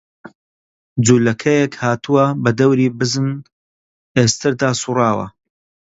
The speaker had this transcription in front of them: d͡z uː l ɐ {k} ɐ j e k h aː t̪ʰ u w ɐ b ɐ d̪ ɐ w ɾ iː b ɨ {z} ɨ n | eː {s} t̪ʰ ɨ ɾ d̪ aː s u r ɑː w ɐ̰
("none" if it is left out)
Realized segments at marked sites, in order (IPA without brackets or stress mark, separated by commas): kʰ, z, s